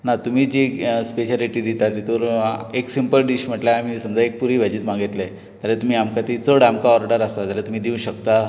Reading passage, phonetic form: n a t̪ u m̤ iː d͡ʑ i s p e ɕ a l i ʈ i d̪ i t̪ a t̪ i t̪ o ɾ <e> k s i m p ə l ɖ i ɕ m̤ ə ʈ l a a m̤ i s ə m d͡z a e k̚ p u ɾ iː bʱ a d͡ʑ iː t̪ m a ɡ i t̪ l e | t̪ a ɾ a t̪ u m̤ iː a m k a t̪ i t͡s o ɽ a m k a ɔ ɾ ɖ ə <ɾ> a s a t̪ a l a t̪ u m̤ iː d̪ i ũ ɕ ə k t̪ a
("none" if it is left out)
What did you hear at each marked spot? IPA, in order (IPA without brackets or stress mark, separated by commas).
e, ɾ